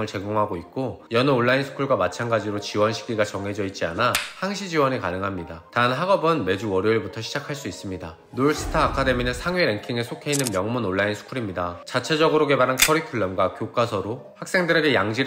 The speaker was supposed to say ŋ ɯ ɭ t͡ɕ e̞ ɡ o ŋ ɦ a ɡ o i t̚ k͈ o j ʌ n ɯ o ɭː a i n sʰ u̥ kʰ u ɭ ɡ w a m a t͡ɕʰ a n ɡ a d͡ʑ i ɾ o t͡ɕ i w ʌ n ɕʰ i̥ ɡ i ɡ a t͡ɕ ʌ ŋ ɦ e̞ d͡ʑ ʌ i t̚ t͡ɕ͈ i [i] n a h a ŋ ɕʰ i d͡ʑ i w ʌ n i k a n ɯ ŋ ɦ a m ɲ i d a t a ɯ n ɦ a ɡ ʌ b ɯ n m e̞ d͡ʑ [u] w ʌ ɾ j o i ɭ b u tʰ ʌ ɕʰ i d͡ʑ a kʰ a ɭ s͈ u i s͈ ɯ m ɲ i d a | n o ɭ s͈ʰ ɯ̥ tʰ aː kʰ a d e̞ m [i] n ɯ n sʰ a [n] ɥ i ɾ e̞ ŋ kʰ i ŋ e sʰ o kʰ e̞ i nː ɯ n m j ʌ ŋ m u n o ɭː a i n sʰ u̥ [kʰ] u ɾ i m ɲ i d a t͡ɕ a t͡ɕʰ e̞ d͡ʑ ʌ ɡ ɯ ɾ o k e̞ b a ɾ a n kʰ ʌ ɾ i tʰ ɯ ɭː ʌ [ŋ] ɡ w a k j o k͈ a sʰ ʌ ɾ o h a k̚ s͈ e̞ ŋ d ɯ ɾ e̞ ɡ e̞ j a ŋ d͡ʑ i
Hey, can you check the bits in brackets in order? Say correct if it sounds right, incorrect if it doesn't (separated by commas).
incorrect, correct, correct, incorrect, correct, incorrect